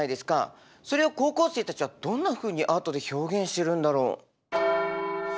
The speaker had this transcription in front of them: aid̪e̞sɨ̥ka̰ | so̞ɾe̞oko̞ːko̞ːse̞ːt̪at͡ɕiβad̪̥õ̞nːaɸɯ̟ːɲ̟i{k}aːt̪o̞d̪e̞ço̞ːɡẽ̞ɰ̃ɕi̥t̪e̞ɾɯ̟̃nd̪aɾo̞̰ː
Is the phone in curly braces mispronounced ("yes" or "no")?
yes